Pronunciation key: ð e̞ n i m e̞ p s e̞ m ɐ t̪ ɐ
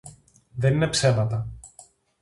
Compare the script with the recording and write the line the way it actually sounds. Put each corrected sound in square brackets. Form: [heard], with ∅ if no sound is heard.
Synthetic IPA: ð e̞ n i [n] e̞ p s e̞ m ɐ t̪ ɐ